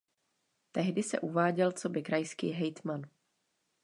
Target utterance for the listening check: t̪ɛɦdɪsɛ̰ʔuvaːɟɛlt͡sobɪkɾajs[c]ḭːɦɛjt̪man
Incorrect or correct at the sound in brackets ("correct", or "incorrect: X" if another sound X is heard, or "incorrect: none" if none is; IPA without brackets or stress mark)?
incorrect: k